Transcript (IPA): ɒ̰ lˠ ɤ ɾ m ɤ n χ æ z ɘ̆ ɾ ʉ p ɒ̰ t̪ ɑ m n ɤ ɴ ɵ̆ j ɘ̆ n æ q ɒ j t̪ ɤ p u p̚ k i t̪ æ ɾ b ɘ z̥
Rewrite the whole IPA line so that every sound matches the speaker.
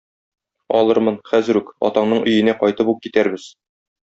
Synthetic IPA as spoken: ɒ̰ lˠ ɤ ɾ m ɤ n χ æ z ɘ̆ ɾ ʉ k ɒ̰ t̪ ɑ ɴ n ɤ ɴ ɵ̆ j ɘ̆ n æ q ɒ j t̪ ɤ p u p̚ k i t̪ æ ɾ b ɘ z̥